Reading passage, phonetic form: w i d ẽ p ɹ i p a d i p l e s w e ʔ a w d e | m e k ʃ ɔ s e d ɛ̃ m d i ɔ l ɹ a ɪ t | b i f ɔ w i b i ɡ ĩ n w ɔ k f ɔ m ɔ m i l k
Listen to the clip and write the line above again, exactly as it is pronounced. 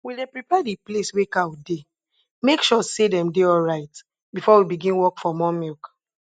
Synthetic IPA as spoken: w i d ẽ p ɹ i p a d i p l e s w e k a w d e | m e k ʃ ɔ s e d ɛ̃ m d e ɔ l ɹ a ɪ t | b i f ɔ w i b i ɡ ĩ n w ɔ k f ɔ m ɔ m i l k